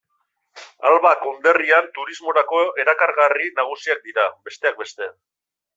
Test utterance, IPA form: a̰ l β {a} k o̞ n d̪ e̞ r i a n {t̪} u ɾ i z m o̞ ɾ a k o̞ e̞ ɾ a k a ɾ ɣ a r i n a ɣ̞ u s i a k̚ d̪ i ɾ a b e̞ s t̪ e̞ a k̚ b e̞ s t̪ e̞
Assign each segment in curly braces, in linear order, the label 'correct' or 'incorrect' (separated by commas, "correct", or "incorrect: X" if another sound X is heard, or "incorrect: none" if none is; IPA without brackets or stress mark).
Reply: correct, correct